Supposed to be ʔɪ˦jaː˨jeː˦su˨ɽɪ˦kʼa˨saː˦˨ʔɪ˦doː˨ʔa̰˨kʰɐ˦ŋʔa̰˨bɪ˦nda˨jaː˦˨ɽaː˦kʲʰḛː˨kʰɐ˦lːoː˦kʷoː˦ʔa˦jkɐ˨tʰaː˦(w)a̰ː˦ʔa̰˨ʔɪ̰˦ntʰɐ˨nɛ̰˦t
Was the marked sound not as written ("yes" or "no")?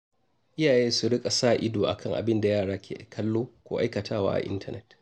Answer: no